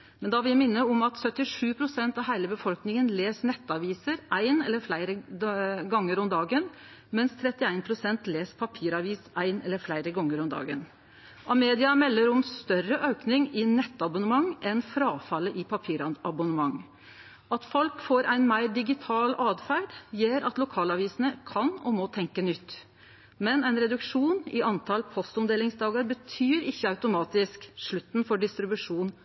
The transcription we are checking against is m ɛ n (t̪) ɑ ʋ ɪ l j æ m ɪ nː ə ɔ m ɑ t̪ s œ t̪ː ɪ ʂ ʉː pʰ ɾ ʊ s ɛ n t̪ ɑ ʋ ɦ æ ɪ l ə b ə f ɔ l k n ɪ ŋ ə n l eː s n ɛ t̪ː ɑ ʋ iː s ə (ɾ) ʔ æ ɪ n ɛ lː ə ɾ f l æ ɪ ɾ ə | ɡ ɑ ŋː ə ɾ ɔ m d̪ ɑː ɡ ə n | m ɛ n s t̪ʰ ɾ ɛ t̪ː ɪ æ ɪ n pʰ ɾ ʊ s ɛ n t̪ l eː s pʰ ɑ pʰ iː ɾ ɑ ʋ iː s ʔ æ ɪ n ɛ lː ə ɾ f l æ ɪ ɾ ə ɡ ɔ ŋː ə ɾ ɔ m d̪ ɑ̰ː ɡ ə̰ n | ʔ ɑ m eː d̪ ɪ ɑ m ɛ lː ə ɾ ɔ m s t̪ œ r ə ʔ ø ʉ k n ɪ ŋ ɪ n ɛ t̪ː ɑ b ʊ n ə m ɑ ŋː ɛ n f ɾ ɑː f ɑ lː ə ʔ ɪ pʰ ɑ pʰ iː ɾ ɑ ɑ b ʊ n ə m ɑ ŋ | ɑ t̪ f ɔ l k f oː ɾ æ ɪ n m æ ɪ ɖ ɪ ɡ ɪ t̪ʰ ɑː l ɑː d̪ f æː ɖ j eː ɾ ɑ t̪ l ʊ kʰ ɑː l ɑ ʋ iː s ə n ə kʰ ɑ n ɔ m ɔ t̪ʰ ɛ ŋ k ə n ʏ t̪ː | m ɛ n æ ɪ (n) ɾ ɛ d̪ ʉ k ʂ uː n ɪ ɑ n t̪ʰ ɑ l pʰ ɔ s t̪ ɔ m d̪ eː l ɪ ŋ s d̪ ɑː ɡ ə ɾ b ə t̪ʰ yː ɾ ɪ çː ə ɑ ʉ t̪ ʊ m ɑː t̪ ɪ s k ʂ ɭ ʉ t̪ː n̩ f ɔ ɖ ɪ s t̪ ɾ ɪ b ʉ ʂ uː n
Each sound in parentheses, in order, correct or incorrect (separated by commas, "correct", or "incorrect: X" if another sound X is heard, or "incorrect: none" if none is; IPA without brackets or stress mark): incorrect: d̪, correct, correct